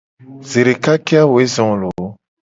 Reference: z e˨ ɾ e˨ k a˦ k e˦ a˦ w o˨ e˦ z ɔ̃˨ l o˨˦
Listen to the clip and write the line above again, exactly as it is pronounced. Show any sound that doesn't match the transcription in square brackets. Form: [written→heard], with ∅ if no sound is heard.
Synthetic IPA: z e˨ ɾ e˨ k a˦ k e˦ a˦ w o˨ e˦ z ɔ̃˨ l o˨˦